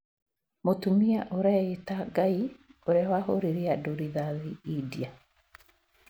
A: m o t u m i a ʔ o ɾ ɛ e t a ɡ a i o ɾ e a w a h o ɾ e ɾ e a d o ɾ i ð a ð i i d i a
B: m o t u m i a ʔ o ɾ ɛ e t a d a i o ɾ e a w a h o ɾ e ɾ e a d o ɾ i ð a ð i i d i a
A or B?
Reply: A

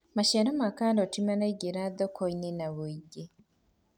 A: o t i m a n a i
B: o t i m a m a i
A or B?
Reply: A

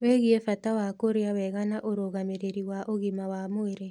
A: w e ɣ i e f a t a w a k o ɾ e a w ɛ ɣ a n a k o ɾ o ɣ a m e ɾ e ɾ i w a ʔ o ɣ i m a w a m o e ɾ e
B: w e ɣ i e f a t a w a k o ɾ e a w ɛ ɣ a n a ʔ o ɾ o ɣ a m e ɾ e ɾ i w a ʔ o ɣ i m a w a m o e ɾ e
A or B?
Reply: B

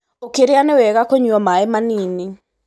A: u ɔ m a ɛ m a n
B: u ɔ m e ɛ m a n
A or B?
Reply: A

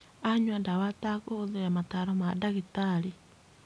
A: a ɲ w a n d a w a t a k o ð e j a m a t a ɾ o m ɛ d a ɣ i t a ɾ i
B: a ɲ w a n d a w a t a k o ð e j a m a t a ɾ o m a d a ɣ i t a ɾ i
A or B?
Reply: B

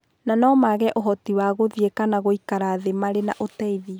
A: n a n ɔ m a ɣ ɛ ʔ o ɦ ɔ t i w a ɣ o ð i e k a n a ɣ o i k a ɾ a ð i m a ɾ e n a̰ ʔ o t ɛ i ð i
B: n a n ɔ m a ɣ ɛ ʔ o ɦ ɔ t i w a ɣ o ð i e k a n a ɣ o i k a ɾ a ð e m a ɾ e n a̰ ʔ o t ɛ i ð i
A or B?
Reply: B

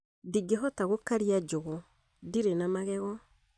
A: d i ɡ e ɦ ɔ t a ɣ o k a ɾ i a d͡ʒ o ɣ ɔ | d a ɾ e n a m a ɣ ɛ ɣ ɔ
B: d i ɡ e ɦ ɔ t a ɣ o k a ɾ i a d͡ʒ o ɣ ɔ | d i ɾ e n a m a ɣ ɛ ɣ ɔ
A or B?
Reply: B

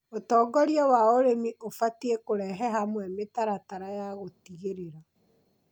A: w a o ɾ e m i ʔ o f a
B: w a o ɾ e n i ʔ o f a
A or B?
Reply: A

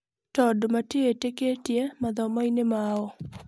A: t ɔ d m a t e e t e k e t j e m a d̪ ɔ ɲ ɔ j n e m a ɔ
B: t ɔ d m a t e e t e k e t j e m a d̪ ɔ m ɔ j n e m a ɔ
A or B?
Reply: B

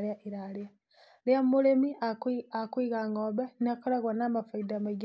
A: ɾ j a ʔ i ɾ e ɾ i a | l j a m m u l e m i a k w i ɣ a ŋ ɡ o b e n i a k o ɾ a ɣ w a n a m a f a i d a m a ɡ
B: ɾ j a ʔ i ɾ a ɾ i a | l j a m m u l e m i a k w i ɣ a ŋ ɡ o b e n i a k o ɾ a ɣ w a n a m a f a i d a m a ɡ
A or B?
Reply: B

